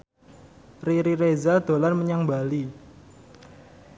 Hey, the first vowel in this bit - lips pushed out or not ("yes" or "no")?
no